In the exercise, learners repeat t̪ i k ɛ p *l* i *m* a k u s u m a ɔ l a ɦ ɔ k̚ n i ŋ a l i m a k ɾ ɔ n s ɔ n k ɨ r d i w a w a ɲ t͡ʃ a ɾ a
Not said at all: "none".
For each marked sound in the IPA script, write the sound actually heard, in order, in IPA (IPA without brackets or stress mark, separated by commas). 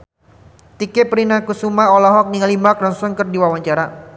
ɾ, n